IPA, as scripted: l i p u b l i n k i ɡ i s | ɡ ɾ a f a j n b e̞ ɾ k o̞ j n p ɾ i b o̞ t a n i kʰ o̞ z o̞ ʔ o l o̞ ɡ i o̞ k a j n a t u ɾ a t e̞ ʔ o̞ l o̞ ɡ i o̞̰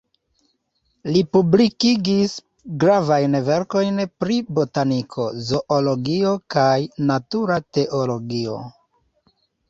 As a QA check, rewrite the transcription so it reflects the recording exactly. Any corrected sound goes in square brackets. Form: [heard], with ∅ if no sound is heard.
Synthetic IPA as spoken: l i p u b l i [∅] k i ɡ i s | ɡ ɾ a [v] a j n [v] e̞ ɾ k o̞ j n p ɾ i b o̞ t a n i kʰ o̞ z o̞ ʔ o l o̞ ɡ i o̞ k a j n a t u ɾ a t e̞ ʔ o̞ l o̞ ɡ i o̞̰

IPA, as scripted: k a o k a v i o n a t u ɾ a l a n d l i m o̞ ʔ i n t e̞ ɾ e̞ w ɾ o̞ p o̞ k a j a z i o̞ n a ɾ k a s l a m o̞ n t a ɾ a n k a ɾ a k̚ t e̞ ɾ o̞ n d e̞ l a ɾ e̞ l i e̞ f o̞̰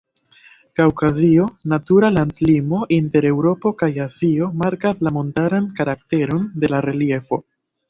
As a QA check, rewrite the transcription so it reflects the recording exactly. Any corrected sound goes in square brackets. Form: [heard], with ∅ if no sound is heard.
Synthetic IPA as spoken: k a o k a [z] i o n a t u ɾ a l a n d l i m o̞ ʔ i n t e̞ ɾ e̞ w ɾ o̞ p o̞ k a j a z i o̞ [m] a ɾ k a s l a m o̞ n t a ɾ a n k a ɾ a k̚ t e̞ ɾ o̞ n d e̞ l a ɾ e̞ l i e̞ f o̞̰

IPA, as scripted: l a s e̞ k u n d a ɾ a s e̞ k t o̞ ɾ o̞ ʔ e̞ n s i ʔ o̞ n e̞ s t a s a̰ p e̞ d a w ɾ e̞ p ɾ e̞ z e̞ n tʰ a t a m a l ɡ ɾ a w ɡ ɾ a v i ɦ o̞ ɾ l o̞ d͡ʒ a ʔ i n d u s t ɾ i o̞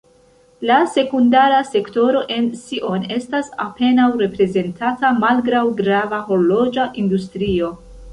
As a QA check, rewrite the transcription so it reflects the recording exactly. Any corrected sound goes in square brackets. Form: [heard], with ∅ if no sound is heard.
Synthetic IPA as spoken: l a s e̞ k u n d a ɾ a s e̞ k t o̞ ɾ o̞ ʔ e̞ n s i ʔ o̞ n e̞ s t a s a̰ p e̞ [n] a w ɾ e̞ p ɾ e̞ z e̞ n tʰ a t a m a l ɡ ɾ a w ɡ ɾ a v [a] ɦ o̞ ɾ l o̞ d͡ʒ a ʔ i n d u s t ɾ i o̞

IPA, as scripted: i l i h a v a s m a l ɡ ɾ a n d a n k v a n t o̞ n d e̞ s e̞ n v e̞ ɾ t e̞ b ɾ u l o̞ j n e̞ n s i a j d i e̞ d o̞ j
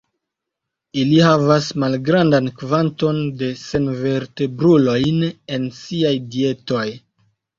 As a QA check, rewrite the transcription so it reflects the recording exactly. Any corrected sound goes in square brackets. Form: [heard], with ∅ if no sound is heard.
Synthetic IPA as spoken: i l i h a v a s m a l ɡ ɾ a n d a n k v a n t o̞ n d e̞ s e̞ n v e̞ ɾ t e̞ b ɾ u l o̞ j n e̞ n s i a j d i e̞ [t] o̞ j

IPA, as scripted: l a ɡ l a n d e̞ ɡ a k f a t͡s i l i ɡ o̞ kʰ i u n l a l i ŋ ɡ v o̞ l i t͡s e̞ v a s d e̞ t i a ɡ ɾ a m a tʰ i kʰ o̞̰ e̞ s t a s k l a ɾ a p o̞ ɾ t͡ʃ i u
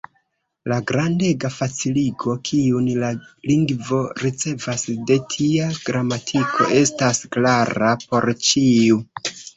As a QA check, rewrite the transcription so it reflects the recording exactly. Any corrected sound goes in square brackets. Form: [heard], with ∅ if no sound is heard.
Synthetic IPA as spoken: l a ɡ [ɾ] a n d e̞ ɡ a [∅] f a t͡s i l i ɡ o̞ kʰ i u n l a l i ŋ ɡ v o̞ [ɾ] i t͡s e̞ v a s d e̞ [tʰ] i a ɡ ɾ a m a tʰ i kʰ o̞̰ e̞ s t a s k l a ɾ a p o̞ ɾ t͡ʃ i u

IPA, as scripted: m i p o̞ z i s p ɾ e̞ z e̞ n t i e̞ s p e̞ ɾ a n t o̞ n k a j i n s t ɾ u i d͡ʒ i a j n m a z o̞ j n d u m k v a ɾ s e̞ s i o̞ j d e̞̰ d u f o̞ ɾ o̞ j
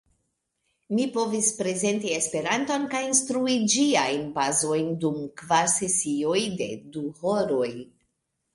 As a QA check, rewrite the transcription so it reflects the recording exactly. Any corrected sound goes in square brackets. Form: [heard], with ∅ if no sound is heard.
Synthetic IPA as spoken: m i p o̞ [v] i s p ɾ e̞ z e̞ n t i e̞ s p e̞ ɾ a n t o̞ n k a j i n s t ɾ u i d͡ʒ i a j n [b] a z o̞ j n d u m k v a ɾ s e̞ s i o̞ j d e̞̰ d u [h] o̞ ɾ o̞ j

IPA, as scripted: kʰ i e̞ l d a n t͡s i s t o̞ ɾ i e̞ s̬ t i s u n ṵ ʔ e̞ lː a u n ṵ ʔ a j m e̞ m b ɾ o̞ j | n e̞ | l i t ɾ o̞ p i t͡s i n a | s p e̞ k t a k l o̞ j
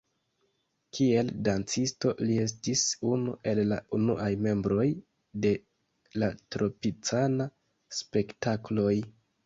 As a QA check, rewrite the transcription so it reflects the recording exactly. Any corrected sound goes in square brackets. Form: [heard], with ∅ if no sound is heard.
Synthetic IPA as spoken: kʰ i e̞ l d a n t͡s i s t o̞ [l] i e̞ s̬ t i s u n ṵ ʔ e̞ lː a u n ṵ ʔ a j m e̞ m b ɾ o̞ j | [d] e̞ | l [a] t ɾ o̞ p i t͡s [a] n a | s p e̞ k t a k l o̞ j

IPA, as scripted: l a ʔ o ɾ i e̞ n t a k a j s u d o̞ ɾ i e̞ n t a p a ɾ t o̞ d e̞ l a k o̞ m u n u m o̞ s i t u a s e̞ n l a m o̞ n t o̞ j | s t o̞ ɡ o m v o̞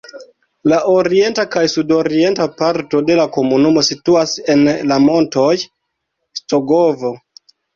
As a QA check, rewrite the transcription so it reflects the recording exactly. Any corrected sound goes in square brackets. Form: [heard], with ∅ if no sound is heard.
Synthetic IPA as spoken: l a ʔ o ɾ i e̞ n t a k a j s u d o̞ ɾ i e̞ n t a p a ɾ t o̞ d e̞ l a k o̞ m u n u m o̞ s i t u a s e̞ n l a m o̞ n t o̞ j | s t o̞ ɡ o [∅] v o̞

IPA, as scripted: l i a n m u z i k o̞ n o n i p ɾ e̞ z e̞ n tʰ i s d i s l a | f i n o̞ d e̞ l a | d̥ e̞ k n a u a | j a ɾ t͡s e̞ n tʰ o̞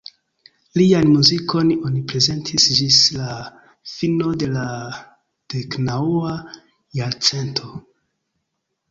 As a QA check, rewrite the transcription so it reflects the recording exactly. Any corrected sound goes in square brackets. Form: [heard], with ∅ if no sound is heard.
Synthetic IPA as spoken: l i a n m u z i k o̞ n o n i p ɾ e̞ z e̞ n tʰ i s [d͡ʒ] i s l a | f i n o̞ d e̞ l a | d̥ e̞ k n a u a | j a ɾ t͡s e̞ n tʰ o̞

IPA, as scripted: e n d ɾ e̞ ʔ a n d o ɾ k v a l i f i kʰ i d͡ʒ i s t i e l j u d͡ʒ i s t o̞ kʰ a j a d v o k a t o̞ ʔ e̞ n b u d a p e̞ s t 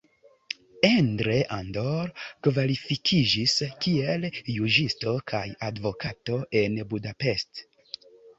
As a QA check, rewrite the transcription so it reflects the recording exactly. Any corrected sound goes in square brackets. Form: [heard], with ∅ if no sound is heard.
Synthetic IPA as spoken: e n d ɾ e̞ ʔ a n d o ɾ k v a l i f i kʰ i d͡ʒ i s [k] i e l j u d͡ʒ i s t o̞ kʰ a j a d v o k a t o̞ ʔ e̞ n b u d a p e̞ s t

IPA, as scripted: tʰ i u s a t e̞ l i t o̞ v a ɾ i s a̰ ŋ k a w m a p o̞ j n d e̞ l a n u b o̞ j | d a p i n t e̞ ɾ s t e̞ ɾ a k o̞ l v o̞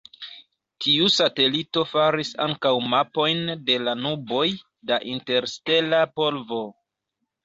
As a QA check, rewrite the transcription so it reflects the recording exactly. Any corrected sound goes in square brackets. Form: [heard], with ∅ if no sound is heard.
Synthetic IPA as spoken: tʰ i u s a t e̞ l i t o̞ [f] a ɾ i s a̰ ŋ k a w m a p o̞ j n d e̞ l a n u b o̞ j | d a [ʔ] i n t e̞ ɾ s t e̞ [l] a [p] o̞ l v o̞

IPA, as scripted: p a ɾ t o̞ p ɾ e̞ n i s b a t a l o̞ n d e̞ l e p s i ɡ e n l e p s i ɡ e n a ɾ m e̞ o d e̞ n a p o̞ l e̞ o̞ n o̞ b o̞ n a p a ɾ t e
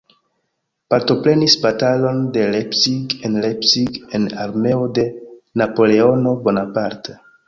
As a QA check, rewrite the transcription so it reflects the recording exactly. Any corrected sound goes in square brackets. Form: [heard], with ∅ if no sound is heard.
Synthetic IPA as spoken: p a ɾ t o̞ p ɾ e̞ n i s b a t a l o̞ n d e̞ l e p s i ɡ e n l e p s i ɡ e n a ɾ m e̞ o d e̞ n a p o̞ l e̞ o̞ n o̞ b o̞ n a p a ɾ t e

